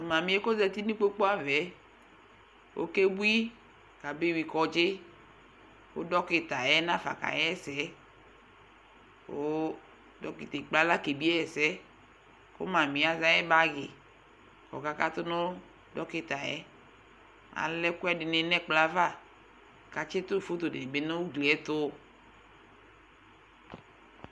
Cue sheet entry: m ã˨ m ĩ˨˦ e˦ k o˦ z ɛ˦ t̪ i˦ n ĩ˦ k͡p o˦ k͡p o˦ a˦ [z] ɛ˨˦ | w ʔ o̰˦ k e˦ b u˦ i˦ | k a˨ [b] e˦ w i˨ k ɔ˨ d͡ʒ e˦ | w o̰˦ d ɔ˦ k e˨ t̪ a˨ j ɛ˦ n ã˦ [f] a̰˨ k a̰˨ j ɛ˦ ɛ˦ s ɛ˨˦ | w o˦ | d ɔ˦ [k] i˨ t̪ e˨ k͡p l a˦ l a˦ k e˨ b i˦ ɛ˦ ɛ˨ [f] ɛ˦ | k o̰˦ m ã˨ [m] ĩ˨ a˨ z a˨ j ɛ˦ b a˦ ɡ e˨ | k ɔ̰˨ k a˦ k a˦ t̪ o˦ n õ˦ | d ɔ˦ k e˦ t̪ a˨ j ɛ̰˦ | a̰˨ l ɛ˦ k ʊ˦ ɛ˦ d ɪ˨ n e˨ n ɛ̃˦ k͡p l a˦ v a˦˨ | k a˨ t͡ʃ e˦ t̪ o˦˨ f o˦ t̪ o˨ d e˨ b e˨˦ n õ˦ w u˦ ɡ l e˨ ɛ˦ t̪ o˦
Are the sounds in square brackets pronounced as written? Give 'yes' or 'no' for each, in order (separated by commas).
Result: no, yes, yes, yes, no, yes